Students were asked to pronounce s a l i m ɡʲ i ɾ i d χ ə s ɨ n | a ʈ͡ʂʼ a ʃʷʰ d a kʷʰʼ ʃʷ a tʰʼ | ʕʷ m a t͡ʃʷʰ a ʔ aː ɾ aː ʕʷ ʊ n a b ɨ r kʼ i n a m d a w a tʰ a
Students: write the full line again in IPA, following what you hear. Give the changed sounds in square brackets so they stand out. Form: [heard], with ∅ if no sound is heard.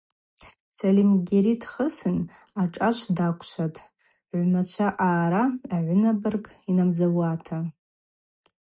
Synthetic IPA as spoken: s a l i m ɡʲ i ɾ i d χ ə s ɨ n | a ʈ͡ʂʼ a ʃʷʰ d a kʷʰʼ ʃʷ a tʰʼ | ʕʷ m a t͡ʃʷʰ a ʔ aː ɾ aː ʕʷ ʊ n a b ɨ r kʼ i n a m [d͡z] a w a tʰ a